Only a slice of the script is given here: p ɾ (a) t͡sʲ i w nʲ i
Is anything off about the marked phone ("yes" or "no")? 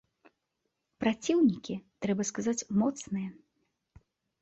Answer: no